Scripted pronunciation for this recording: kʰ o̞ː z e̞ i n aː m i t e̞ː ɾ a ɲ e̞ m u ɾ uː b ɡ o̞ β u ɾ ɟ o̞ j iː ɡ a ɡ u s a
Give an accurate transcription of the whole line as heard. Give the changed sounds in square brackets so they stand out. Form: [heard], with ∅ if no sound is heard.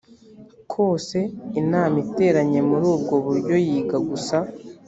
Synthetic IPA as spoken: kʰ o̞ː [s] e̞ i n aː m i t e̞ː ɾ a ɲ e̞ m u ɾ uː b ɡ o̞ β u ɾ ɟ o̞ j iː ɡ a ɡ u s a